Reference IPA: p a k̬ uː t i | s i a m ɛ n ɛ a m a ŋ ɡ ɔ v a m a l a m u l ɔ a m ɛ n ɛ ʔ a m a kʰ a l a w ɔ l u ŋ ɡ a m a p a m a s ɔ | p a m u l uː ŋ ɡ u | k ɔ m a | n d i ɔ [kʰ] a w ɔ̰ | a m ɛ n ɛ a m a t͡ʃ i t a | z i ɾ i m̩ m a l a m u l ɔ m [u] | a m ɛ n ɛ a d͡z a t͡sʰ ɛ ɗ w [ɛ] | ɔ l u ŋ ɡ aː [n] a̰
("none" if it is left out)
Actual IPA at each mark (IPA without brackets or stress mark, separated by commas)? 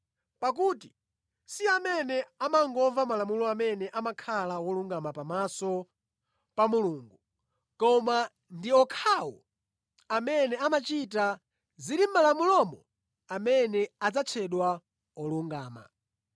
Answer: kʰ, ɔ, a, m